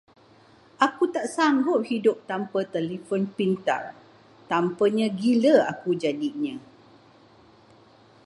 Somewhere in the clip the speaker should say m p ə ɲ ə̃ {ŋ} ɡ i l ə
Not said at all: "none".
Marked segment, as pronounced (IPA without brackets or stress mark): none